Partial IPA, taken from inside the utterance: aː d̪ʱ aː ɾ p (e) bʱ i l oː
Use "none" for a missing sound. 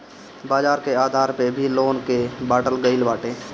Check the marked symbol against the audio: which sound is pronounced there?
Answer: e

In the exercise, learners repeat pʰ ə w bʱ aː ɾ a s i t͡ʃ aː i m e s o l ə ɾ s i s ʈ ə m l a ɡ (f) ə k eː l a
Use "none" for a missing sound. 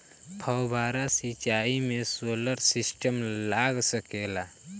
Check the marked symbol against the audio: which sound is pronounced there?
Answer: s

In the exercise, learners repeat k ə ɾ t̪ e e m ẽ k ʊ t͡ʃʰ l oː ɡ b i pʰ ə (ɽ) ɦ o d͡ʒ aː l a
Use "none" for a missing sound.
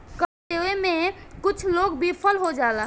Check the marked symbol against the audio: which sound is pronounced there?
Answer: l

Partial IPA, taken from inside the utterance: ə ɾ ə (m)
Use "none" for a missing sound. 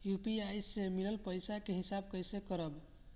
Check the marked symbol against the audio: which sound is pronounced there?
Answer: b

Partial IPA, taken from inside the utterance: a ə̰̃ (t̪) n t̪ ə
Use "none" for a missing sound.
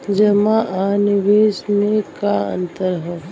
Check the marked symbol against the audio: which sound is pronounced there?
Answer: none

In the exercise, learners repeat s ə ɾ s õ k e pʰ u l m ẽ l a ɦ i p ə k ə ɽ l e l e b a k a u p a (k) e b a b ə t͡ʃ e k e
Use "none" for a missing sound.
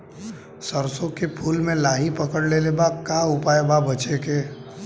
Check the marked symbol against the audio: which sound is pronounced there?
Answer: none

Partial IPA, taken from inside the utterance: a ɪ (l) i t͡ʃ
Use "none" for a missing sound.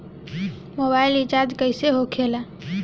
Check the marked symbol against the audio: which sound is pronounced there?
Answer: l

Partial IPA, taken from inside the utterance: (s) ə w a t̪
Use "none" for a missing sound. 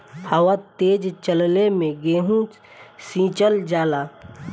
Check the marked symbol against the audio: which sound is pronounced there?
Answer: h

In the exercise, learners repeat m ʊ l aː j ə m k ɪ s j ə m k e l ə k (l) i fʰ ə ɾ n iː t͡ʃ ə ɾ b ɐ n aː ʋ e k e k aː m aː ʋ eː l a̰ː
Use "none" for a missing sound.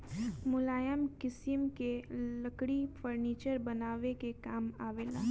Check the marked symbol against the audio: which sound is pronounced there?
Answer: ɽ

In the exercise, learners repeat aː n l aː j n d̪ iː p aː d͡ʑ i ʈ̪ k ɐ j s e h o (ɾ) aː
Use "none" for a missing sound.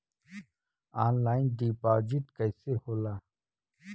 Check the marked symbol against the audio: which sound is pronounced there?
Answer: l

